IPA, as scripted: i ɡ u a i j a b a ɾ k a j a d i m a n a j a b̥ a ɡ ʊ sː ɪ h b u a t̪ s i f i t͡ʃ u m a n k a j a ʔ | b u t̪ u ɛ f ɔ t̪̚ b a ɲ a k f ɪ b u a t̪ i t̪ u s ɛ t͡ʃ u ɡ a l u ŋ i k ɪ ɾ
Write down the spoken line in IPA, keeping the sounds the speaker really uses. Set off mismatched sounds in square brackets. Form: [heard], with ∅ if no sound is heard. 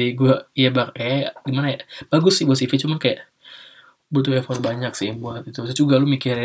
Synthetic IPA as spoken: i ɡ u a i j a b a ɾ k a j a [ɡ] i m a n a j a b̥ a ɡ ʊ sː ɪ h b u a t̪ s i f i t͡ʃ u m a n k a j a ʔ | b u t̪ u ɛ f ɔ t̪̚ b a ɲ a k [s] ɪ b u a t̪ i t̪ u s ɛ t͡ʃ u ɡ a l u [m] i k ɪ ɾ